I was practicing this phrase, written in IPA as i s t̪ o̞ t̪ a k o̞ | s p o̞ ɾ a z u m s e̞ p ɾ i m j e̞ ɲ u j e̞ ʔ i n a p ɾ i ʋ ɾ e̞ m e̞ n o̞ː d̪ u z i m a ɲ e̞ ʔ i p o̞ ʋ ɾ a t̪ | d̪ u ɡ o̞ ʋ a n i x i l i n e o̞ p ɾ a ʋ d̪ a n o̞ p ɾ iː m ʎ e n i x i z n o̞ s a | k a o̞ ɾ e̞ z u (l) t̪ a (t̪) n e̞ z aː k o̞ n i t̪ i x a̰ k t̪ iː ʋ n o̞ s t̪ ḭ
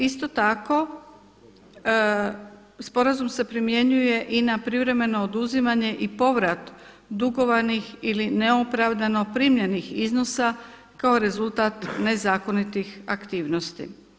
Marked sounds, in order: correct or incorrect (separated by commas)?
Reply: correct, correct